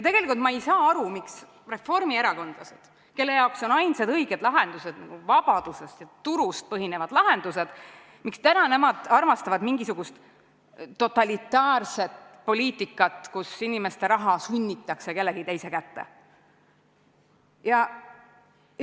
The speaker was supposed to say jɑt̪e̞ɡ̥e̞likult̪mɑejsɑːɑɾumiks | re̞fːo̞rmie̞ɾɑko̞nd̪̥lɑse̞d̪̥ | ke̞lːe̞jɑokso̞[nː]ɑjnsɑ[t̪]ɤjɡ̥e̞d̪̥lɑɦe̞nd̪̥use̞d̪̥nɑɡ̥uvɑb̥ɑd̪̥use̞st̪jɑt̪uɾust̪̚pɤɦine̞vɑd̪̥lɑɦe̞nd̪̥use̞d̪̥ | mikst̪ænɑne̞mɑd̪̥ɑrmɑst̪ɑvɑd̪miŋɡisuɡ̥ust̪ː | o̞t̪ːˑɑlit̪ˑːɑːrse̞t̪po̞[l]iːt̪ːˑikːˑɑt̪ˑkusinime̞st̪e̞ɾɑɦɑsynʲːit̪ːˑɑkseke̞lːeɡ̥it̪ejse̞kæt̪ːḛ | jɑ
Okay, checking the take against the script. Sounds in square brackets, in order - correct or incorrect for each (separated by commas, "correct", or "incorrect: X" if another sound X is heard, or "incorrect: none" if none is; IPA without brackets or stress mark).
incorrect: n, incorrect: d̪, correct